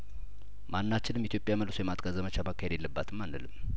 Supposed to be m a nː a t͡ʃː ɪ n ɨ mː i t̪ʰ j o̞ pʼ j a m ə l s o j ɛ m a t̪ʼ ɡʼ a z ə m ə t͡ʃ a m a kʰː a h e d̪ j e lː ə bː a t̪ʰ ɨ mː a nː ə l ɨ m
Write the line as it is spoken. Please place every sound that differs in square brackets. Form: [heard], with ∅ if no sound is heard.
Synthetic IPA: m a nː a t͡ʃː ɪ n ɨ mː i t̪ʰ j o̞ pʼ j a m ə l s o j ɛ m a t̪ʼ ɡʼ a z ə m ə t͡ʃ a m a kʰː a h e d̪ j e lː ə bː a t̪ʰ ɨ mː a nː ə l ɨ m